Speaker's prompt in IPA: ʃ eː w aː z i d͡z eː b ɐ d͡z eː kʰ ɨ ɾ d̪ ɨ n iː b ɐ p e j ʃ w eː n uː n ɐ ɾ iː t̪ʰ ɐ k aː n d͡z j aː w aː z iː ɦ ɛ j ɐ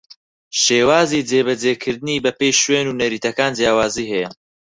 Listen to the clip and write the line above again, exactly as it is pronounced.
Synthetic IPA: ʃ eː w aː z i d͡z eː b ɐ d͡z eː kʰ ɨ ɾ d̪ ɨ n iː b ɐ p e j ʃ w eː n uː n ɐ ɾ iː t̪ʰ ɐ k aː n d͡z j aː w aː z iː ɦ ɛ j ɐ